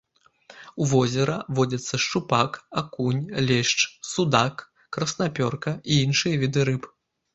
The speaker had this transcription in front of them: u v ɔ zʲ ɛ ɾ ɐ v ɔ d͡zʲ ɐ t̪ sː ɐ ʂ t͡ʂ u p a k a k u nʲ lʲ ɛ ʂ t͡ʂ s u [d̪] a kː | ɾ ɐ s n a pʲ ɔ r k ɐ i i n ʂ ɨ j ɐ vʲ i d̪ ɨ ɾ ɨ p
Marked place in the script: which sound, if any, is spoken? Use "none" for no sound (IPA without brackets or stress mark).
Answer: d̪